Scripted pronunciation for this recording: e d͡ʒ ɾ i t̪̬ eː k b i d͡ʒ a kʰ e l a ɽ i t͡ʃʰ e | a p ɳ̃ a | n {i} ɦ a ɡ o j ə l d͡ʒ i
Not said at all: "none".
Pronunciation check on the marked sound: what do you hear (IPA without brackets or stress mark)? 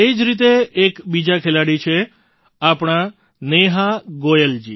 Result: e